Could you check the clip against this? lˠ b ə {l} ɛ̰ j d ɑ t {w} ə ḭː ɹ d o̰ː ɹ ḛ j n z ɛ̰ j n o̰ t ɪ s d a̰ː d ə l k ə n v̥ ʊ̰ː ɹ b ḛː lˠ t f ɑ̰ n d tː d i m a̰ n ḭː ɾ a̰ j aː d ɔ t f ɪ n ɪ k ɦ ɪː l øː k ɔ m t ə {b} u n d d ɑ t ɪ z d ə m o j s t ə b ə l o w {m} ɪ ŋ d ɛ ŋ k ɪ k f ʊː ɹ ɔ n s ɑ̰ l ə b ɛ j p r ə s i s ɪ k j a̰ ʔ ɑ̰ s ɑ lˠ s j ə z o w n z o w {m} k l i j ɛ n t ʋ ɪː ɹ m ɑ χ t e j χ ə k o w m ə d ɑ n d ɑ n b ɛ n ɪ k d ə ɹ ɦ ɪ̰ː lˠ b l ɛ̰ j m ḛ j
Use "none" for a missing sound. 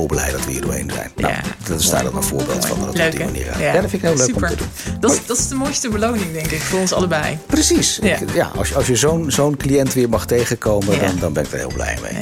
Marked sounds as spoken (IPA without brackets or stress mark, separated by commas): l, ʋ, d, n, n